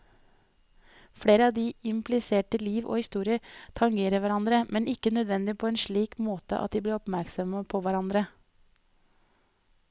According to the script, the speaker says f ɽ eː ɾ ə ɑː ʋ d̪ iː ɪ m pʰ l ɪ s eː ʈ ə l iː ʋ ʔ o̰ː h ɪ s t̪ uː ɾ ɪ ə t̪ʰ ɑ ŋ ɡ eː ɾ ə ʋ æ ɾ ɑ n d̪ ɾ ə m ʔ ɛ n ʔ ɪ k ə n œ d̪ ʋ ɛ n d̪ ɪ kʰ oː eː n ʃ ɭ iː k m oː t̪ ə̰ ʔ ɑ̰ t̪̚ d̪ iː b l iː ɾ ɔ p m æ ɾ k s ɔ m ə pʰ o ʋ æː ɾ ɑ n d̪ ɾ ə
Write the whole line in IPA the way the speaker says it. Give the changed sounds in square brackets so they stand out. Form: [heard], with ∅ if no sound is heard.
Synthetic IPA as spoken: f ɽ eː ɾ ə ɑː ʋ d̪ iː ɪ m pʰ l ɪ s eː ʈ ə l iː ʋ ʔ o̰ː h ɪ s t̪ uː ɾ ɪ ə t̪ʰ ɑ ŋ ɡ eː ɾ ə ʋ æ ɾ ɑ n d̪ ɾ ə m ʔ ɛ n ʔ ɪ k ə n œ d̪ ʋ ɛ n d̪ ɪ [pʰ] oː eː n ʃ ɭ iː k m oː t̪ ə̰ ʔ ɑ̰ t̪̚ d̪ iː b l iː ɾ ɔ p m æ ɾ k s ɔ m ə pʰ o ʋ [æ] ɾ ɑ n d̪ ɾ ə

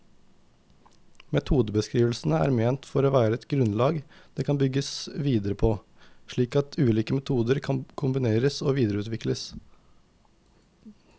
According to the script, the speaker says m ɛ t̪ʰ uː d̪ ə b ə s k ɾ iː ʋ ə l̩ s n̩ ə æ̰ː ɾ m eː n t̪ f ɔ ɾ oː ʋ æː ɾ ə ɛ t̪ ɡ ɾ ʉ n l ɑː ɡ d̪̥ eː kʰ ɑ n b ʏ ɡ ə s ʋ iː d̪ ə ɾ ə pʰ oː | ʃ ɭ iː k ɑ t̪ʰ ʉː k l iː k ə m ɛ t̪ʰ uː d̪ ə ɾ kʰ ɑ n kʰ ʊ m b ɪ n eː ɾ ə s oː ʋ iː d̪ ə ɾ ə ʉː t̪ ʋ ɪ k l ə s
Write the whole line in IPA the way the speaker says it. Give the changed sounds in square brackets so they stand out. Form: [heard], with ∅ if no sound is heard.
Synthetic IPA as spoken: m ɛ t̪ʰ uː d̪ ə b ə s k ɾ iː ʋ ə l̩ s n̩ ə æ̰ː ɾ m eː n t̪ f ɔ ɾ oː ʋ æː ɾ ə ɛ t̪ ɡ ɾ ʉ n l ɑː ɡ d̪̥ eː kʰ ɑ n b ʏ ɡ ə s ʋ iː d̪ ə ɾ ə pʰ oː | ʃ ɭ iː k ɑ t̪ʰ ʉː [∅] l iː k ə m ɛ t̪ʰ uː d̪ ə ɾ kʰ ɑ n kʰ ʊ m b ɪ n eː ɾ ə s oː ʋ iː d̪ ə ɾ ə ʉː t̪ ʋ ɪ k l ə s

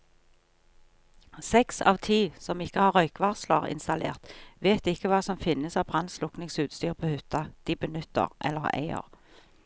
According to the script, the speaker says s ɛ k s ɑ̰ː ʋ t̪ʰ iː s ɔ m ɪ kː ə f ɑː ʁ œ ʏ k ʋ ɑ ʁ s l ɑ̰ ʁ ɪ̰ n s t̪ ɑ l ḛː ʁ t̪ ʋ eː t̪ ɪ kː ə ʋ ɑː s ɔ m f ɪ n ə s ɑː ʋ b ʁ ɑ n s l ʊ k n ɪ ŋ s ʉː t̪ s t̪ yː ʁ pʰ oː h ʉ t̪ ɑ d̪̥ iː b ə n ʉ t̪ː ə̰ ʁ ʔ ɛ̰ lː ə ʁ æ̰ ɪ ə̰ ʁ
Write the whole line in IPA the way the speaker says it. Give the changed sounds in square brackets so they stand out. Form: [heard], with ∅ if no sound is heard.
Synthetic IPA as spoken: s ɛ k s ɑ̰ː ʋ t̪ʰ iː s ɔ m ɪ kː ə [h] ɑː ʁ œ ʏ k ʋ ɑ ʁ s l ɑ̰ ʁ ɪ̰ n s t̪ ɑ l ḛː ʁ t̪ ʋ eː t̪ ɪ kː ə ʋ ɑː s ɔ m f ɪ n ə s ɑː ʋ b ʁ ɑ n s l ʊ k n ɪ ŋ s ʉː t̪ s t̪ yː ʁ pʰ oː h ʉ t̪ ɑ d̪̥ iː b ə n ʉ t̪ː ə̰ ʁ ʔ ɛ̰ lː ə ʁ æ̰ ɪ ə̰ ʁ

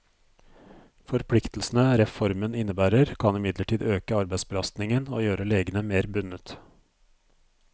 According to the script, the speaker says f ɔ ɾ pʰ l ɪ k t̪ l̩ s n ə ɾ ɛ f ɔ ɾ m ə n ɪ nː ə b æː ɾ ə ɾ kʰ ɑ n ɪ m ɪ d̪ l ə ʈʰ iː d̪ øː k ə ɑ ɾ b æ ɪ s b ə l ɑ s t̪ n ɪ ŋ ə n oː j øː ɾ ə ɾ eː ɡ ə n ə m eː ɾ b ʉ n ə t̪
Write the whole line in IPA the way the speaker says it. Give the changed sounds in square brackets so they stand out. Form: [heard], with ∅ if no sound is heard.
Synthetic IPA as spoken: f ɔ ɾ pʰ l ɪ k t̪ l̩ s n ə ɾ ɛ f ɔ ɾ m ə n ɪ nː ə b æː ɾ ə ɾ kʰ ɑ n ɪ m ɪ d̪ l ə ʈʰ iː d̪ øː k ə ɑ ɾ b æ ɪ s b ə l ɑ s t̪ n ɪ ŋ ə n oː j øː ɾ ə [l] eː ɡ ə n ə m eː ɾ b ʉ n ə t̪

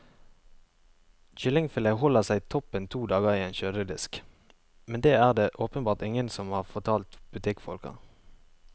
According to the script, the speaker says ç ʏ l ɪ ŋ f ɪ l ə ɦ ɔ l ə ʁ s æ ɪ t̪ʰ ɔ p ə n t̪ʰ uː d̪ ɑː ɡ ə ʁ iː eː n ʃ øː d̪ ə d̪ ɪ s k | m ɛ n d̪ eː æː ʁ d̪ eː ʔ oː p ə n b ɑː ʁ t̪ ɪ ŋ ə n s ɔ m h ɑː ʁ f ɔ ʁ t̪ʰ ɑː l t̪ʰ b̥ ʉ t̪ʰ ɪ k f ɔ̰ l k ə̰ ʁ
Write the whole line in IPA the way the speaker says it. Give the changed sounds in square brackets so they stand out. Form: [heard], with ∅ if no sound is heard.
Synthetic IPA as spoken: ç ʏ l ɪ ŋ f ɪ l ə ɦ ɔ l ə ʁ s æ ɪ t̪ʰ ɔ p ə n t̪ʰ uː d̪ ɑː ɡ ə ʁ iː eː n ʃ øː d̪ ə d̪ ɪ s k | m ɛ n d̪ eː æː ʁ d̪ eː ʔ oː p ə n b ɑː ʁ t̪ ɪ ŋ ə n s ɔ m h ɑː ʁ f ɔ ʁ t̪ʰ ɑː l [t̪] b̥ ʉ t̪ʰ ɪ k f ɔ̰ l k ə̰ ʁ

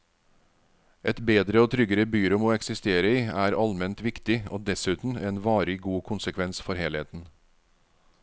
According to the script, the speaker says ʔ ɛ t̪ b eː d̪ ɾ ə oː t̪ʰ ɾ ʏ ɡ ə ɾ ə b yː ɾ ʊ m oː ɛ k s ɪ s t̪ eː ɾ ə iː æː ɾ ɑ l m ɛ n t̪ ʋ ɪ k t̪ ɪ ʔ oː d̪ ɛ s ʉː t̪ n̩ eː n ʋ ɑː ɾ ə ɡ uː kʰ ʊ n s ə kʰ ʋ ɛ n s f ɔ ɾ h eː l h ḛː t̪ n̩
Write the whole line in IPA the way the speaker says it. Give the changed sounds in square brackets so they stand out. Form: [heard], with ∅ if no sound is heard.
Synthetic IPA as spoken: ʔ ɛ t̪ b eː d̪ ɾ ə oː t̪ʰ ɾ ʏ ɡ ə ɾ ə b yː ɾ ʊ m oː ɛ k s ɪ s t̪ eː ɾ ə iː æː ɾ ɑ l m ɛ n t̪ ʋ ɪ k t̪ ɪ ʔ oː d̪ ɛ s ʉː t̪ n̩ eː n ʋ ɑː ɾ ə ɡ uː kʰ ʊ n s ə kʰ ʋ ɛ n s f ɔ ɾ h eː l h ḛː t̪ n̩

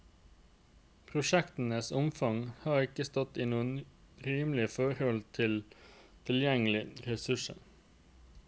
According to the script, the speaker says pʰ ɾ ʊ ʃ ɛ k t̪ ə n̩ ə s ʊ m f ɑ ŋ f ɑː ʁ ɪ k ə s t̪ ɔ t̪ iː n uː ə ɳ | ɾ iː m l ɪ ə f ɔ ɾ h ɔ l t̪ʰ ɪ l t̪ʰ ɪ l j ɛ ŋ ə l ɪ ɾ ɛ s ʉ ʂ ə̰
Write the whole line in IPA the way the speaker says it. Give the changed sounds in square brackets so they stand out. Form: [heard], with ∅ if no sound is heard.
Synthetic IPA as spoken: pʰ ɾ ʊ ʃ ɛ k t̪ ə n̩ ə s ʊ m f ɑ ŋ [h] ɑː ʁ ɪ k ə s t̪ ɔ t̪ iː n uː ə [n] | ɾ iː m l ɪ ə f ɔ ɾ h ɔ l t̪ʰ ɪ l t̪ʰ ɪ l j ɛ ŋ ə l ɪ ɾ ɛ s ʉ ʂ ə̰

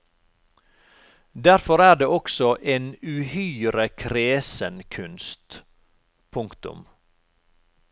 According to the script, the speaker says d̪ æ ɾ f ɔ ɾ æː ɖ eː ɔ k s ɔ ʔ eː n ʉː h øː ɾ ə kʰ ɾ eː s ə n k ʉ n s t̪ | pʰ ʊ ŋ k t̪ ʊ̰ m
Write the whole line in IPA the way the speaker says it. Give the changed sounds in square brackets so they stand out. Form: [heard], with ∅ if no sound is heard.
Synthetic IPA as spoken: d̪ æ ɾ f ɔ ɾ æː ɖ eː ɔ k s ɔ ʔ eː n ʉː h [yː] ɾ ə kʰ ɾ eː s ə n [kʰ] ʉ n s t̪ | pʰ ʊ ŋ k t̪ ʊ̰ m

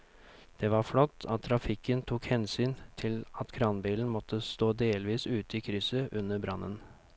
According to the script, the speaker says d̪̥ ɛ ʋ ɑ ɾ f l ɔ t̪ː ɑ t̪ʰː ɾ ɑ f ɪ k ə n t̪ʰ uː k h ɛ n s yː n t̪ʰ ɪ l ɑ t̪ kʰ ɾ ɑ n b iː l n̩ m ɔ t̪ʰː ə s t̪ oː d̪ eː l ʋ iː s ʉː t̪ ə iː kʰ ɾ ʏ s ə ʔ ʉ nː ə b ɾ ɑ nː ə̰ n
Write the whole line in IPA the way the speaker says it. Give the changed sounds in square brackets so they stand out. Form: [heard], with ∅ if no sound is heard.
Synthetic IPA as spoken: d̪̥ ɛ ʋ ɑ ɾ f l ɔ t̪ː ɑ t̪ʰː ɾ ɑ f ɪ k ə n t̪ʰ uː k h ɛ n s yː n t̪ʰ ɪ l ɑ t̪ kʰ ɾ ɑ n b iː l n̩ m ɔ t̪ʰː ə s t̪ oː d̪ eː l ʋ iː s ʉː t̪ ə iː kʰ ɾ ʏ s ə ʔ ʉ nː ə b ɾ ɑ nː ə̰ n

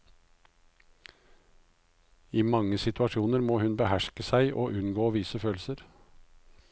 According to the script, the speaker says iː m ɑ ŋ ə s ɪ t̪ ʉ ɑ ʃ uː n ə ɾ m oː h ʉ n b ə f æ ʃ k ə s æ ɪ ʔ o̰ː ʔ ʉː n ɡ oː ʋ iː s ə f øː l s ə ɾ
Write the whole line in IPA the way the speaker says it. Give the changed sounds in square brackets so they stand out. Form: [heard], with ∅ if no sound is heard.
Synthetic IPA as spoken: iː m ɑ ŋ ə s ɪ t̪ ʉ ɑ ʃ uː n ə ɾ m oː h ʉ n b ə [h] æ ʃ k ə s æ ɪ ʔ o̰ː ʔ [ʉ] n ɡ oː ʋ iː s ə f øː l s ə ɾ

